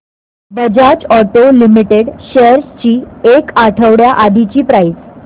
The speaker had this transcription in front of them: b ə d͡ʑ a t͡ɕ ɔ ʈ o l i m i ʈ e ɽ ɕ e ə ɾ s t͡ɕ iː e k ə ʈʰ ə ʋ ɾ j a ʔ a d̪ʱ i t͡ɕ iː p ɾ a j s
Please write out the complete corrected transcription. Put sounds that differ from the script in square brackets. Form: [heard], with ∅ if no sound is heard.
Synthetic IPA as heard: b ə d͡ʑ a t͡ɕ ɔ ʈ o l i m i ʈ e ɽ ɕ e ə ɾ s t͡ɕ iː e k [a] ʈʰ ə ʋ [ɽ] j a ʔ a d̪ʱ i t͡ɕ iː p ɾ a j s